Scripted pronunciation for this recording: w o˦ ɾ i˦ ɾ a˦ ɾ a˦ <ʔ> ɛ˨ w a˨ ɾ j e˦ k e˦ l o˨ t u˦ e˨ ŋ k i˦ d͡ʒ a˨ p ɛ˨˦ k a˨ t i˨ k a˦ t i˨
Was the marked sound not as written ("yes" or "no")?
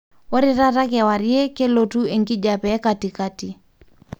yes